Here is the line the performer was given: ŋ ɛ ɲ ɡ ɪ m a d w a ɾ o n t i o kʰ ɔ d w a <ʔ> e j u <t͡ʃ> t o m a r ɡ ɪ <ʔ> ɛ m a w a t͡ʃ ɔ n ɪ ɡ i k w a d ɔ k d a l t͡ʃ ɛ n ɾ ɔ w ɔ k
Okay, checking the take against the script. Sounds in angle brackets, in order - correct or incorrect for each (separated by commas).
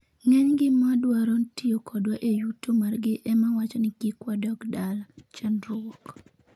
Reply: correct, incorrect, correct